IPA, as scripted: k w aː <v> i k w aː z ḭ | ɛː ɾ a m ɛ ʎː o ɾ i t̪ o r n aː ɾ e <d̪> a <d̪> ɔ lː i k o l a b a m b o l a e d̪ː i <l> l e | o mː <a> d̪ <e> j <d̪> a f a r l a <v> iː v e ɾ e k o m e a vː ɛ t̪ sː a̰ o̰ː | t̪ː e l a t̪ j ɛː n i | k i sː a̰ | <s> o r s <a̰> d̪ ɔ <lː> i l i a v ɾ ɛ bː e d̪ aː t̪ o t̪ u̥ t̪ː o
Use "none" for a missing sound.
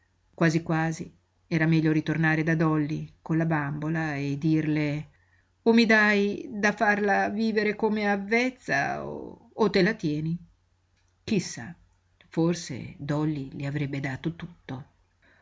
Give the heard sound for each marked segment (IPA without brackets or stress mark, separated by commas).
z, d̪, d̪, r, i, a, d̪, v, f, ḛ, lː